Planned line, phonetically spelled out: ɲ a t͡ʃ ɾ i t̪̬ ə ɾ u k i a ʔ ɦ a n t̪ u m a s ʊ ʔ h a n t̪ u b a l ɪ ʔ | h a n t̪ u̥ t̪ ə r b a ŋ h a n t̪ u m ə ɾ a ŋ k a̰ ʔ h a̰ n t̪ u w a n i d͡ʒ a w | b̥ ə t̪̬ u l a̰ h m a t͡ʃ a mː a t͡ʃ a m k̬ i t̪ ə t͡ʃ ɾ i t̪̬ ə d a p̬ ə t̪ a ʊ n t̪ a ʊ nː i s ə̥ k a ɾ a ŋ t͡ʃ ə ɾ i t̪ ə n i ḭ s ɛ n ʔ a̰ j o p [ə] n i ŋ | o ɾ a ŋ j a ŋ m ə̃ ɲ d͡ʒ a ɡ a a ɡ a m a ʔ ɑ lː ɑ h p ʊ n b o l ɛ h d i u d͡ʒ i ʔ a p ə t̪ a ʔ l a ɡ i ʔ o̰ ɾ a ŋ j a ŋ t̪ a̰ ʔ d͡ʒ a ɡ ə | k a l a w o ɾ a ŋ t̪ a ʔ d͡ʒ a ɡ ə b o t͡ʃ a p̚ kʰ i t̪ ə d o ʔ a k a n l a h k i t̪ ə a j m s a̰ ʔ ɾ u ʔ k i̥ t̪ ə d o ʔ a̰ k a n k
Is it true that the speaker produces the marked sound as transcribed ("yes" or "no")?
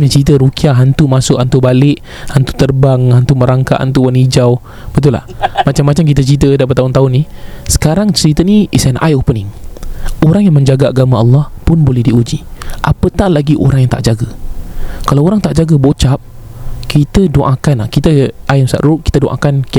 yes